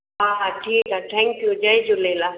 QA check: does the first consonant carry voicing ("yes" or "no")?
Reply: yes